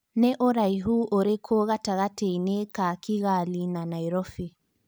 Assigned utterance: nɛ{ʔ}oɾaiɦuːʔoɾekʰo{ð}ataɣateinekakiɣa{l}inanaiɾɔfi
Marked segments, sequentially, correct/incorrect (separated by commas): correct, incorrect, correct